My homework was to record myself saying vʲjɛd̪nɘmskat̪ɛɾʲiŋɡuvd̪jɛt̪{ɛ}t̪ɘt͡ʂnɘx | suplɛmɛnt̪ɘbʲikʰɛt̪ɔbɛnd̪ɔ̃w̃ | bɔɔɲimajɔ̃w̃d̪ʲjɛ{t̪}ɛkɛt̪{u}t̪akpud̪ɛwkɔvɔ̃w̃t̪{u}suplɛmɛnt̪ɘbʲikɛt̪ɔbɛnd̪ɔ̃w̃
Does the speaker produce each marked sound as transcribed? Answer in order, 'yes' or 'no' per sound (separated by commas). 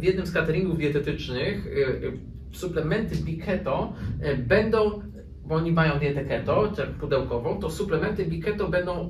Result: yes, yes, no, no